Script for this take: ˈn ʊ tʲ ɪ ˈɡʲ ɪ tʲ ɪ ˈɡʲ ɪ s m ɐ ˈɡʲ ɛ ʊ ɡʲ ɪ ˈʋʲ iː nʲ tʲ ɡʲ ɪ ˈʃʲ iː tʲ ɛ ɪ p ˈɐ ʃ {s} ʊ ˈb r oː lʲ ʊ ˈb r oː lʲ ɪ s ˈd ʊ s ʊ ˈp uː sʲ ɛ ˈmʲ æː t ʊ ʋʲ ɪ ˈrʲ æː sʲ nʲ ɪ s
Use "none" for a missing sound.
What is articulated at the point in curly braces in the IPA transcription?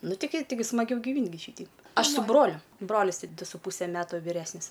s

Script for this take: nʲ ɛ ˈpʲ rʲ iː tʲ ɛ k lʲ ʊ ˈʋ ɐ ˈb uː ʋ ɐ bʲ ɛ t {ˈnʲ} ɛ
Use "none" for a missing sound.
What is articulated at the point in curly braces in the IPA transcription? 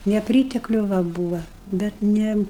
nʲ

